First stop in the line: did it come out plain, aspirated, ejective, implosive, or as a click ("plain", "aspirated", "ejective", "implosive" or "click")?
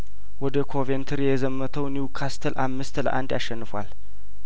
plain